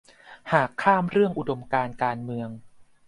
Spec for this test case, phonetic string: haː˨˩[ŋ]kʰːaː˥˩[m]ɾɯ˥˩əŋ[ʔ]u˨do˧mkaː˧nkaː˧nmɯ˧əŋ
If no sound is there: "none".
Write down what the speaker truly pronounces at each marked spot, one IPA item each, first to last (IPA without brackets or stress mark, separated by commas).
none, m, ʔ